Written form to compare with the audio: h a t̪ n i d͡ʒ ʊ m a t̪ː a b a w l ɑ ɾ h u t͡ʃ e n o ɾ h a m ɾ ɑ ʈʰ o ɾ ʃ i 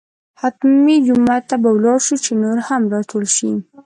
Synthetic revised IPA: h a t̪ m i d͡ʒ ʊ m a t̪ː a b a w l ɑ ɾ ʃ u t͡ʃ e n o ɾ h a m ɾ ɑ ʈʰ o l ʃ i